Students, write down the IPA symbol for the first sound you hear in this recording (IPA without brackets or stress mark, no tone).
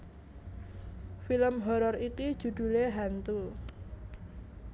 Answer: f